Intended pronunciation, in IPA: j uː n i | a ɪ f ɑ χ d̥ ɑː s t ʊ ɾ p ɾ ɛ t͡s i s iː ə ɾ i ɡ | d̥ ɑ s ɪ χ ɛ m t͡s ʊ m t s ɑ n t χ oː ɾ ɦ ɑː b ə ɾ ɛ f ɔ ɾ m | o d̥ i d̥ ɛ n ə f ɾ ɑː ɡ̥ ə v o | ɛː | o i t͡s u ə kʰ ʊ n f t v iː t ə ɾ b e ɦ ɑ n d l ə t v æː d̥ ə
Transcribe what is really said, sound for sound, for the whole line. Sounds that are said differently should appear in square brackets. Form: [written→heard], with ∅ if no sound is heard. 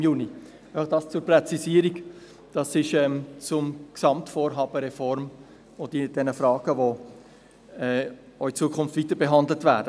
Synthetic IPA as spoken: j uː n i | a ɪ f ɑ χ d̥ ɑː s [t→t͡s] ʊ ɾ p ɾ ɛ t͡s i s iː ə ɾ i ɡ | d̥ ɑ s ɪ [χ→ʃ] ɛ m t͡s ʊ m [t→k] s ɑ [n→m] t [χ→f] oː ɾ ɦ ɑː b ə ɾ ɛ f ɔ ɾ m | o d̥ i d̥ ɛ n ə f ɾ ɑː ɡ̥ ə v o | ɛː | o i t͡s u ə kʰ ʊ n f t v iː t ə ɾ b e ɦ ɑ n d l ə t v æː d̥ ə

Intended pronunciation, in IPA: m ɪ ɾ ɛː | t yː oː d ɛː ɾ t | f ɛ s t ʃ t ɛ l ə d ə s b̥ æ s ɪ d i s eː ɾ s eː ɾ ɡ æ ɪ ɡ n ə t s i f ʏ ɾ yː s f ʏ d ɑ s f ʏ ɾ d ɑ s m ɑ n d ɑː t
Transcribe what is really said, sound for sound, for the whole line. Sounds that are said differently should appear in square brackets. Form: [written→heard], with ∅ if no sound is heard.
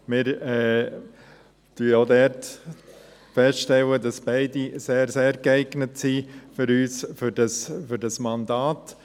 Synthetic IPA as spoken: m ɪ ɾ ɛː | t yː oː d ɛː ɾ t | f ɛ s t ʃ t ɛ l ə d [ə→ɑ] s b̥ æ [s→∅] ɪ d i s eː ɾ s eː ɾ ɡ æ ɪ ɡ n ə t s i f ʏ ɾ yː s f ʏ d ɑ s f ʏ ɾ d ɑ s m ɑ n d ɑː t

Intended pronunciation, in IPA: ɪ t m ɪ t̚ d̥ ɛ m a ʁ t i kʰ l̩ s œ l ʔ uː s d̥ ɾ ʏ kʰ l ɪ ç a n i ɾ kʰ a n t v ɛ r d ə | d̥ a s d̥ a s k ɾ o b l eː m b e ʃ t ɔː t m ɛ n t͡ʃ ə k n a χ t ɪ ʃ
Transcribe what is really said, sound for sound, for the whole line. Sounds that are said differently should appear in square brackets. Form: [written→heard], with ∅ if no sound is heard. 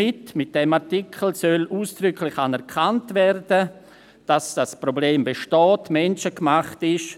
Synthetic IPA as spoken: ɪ t m ɪ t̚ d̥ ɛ m a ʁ t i kʰ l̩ s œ l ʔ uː s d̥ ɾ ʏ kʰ l ɪ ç a n [i→ɛ] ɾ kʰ a n t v ɛ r d ə | d̥ a s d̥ a s [k→p] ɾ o b l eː m b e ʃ t ɔː t m ɛ n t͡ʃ ə k [n→m] a χ t ɪ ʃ

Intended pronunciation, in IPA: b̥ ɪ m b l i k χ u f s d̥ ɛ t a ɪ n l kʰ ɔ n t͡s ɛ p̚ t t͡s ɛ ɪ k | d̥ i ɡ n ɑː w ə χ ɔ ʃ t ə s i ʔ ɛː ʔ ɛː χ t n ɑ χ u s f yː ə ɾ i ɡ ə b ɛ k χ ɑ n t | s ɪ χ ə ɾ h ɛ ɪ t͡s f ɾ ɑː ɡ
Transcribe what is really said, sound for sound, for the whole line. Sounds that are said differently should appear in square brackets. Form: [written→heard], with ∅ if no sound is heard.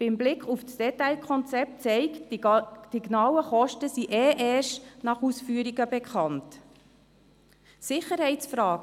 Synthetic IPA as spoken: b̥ ɪ m b l [i→ɪ] k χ u f s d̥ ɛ t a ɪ [n→∅] l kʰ ɔ n t͡s ɛ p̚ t t͡s ɛ ɪ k | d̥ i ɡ n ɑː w ə χ ɔ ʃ t ə s i ʔ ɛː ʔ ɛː [χ→ʃ] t n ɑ χ u s f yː ə ɾ i ɡ ə b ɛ k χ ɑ n t | s ɪ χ ə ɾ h ɛ ɪ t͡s f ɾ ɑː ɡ

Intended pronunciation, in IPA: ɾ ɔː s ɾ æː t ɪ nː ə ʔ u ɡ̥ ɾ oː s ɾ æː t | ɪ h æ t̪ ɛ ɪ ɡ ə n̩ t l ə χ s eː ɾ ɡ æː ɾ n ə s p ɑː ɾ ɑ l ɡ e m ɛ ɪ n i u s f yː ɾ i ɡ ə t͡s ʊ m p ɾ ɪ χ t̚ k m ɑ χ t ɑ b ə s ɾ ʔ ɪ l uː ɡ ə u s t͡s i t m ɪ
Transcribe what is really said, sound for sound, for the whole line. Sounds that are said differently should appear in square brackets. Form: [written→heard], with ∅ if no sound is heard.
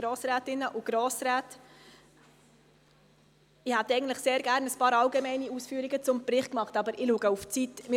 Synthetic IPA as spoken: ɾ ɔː s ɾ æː t ɪ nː ə ʔ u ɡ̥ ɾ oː s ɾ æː t | ɪ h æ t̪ ɛ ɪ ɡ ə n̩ t l ə χ s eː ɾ ɡ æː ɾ n ə s p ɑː ɾ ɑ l ɡ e m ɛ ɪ n i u s f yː ɾ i ɡ ə t͡s ʊ m p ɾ ɪ χ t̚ k m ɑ χ t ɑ b ə [s→∅] ɾ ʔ ɪ l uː ɡ ə u [s→f] t͡s i t m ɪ

